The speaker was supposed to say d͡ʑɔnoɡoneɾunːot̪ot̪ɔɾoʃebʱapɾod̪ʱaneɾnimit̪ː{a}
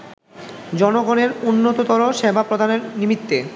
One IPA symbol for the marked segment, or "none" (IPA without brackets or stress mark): e